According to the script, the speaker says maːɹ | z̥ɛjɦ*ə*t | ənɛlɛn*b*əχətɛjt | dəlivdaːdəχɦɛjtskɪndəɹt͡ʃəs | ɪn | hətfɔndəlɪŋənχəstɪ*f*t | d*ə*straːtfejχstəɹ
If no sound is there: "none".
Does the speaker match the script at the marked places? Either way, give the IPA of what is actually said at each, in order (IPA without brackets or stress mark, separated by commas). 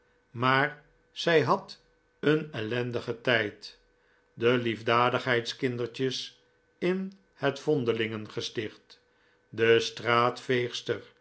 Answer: ɑ, d, χ, ə